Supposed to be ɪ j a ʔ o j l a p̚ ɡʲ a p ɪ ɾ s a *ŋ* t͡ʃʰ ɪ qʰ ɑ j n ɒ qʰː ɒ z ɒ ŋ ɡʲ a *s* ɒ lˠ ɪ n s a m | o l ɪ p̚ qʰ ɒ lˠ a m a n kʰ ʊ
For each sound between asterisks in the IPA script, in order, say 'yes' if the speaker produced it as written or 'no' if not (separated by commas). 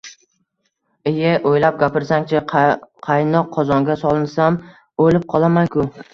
yes, yes